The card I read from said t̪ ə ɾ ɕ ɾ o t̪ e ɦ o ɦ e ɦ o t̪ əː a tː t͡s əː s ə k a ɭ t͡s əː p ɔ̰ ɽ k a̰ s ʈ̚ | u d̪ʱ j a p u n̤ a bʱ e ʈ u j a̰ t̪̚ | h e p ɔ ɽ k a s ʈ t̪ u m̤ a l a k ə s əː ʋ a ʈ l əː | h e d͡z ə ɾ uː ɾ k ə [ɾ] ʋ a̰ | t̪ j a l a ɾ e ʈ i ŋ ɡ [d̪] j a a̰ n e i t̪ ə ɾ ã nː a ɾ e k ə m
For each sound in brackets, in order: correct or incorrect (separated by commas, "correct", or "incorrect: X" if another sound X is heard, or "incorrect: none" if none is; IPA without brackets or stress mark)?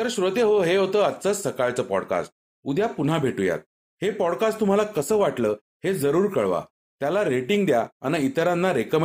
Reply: incorrect: ɭ, correct